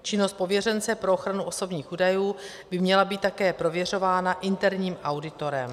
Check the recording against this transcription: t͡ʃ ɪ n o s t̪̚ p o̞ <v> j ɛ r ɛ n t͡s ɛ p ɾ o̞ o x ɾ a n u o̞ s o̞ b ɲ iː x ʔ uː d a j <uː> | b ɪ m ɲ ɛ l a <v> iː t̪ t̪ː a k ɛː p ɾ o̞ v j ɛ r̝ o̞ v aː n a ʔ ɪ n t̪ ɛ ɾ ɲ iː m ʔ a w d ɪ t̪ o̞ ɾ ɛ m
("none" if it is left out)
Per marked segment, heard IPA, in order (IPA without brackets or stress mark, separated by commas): v, uː, b